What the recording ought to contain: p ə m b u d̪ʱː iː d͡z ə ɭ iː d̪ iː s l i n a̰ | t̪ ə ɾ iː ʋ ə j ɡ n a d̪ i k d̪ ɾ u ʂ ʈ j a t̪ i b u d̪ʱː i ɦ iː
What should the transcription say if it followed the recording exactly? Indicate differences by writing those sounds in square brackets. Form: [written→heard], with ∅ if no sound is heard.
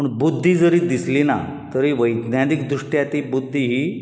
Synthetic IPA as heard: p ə [m→ɳ] b u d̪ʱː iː d͡z ə [ɭ→ɾ] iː d̪ [iː→i] s l i n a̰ | t̪ ə ɾ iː ʋ ə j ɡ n a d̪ i k d̪ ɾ u ʂ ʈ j a t̪ i b u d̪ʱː i ɦ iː